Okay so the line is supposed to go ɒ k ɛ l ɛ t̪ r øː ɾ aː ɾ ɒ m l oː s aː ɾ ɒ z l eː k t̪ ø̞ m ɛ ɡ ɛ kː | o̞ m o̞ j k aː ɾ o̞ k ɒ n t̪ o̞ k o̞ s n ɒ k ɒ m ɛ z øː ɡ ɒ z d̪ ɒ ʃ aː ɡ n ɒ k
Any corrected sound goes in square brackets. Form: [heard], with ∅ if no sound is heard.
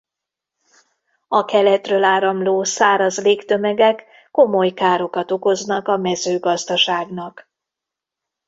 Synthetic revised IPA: ɒ k ɛ l ɛ t̪ r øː [l] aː ɾ ɒ m l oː s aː ɾ ɒ z l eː k t̪ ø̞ m ɛ ɡ ɛ kː | o̞ m o̞ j k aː ɾ o̞ k ɒ [∅] t̪ o̞ k o̞ [z] n ɒ k ɒ m ɛ z øː ɡ ɒ z d̪ ɒ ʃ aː ɡ n ɒ k

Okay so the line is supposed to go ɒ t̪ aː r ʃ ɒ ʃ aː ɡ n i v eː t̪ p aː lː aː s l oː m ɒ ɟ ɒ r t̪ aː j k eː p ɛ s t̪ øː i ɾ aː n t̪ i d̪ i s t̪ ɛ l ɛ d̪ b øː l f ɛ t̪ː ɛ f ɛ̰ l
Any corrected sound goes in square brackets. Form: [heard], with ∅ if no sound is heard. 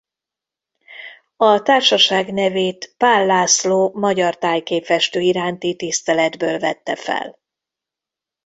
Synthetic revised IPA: ɒ t̪ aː r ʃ ɒ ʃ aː ɡ n [ɛ] v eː t̪ p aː lː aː s l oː m ɒ ɟ ɒ r t̪ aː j k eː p ɛ [ʃ] t̪ øː i ɾ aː n t̪ i [t̪] i s t̪ ɛ l ɛ d̪ b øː l [v] ɛ t̪ː ɛ f ɛ̰ l

